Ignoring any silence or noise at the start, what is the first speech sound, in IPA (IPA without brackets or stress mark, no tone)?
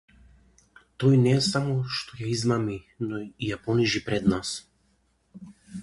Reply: t̪